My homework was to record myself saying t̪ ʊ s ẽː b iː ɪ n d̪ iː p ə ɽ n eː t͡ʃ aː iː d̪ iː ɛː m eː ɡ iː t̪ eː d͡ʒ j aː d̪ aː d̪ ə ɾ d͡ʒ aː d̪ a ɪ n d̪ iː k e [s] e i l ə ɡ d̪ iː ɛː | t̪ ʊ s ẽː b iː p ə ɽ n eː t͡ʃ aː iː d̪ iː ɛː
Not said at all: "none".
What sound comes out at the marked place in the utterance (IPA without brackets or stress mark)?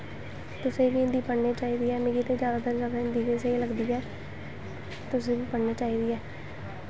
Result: s